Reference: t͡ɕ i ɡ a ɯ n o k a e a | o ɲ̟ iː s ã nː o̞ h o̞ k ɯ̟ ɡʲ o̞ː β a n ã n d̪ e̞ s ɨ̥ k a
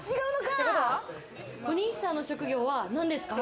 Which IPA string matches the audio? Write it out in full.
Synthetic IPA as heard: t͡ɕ i ɡ a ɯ n o k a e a | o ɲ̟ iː s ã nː o̞ ɕ o̞ k ɯ̟ ɡʲ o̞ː β a n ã n d̪ e̞ s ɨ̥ k a